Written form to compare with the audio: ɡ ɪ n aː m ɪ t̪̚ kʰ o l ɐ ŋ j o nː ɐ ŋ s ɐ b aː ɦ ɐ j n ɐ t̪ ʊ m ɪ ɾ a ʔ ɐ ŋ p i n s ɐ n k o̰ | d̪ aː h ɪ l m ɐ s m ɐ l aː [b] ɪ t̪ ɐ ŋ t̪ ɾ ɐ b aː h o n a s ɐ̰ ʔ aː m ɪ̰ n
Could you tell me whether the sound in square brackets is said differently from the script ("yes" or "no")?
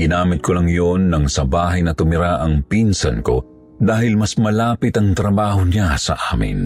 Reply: yes